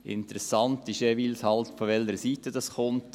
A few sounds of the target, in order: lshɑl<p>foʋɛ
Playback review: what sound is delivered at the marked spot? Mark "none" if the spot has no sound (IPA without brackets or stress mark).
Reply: t